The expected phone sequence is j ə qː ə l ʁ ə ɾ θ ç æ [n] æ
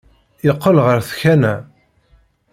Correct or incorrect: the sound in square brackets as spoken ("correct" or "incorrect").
correct